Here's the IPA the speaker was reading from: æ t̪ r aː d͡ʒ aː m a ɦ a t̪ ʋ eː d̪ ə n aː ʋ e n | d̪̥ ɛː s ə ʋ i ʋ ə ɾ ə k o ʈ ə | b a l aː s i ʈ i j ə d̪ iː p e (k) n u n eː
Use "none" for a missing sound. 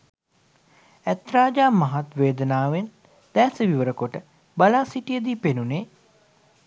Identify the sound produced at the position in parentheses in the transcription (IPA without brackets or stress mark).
none